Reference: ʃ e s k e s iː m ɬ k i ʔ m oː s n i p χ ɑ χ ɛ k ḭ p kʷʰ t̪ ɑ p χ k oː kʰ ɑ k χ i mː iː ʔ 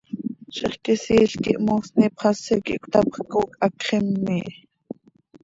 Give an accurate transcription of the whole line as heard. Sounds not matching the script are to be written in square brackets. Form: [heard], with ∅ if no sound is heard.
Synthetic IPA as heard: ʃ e [χ] k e s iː [∅] ɬ k i ʔ m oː s n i p χ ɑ [s] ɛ k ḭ [ʔ] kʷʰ t̪ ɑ p χ k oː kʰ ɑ k χ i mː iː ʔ